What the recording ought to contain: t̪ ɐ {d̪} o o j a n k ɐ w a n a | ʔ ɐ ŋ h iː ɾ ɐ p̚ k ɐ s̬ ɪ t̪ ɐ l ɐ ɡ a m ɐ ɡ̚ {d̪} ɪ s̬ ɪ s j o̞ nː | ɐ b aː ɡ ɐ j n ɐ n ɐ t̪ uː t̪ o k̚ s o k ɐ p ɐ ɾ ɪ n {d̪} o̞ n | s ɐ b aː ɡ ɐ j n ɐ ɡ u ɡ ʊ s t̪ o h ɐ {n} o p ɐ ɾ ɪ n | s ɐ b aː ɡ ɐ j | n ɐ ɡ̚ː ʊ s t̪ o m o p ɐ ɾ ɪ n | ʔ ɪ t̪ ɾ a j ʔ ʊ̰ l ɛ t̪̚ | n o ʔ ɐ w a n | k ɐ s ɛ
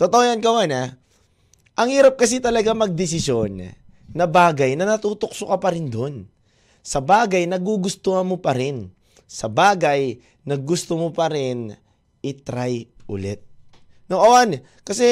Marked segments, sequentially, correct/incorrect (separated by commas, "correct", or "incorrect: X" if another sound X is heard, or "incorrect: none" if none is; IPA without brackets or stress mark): incorrect: t̪, correct, correct, incorrect: m